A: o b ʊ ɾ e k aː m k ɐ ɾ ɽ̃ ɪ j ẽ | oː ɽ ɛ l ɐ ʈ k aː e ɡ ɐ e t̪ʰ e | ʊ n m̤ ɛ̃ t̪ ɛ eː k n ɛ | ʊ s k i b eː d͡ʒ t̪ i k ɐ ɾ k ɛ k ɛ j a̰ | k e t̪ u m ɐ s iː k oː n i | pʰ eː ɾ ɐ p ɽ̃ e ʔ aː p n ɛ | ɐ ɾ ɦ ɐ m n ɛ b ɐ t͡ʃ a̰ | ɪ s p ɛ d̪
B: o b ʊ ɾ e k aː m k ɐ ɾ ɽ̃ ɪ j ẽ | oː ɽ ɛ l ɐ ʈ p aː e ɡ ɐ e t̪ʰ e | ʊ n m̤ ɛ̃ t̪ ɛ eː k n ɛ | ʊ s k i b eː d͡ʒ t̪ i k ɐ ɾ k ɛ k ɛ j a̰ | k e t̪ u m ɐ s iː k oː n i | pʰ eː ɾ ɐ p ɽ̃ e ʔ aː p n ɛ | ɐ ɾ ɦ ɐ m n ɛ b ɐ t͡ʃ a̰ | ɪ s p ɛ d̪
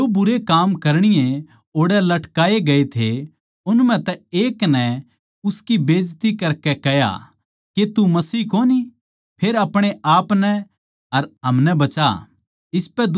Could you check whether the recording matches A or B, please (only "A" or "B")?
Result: A